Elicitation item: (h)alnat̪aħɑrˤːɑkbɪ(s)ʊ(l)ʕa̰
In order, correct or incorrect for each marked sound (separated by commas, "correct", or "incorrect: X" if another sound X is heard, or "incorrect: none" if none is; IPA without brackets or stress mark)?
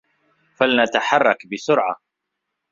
incorrect: f, correct, incorrect: ɾ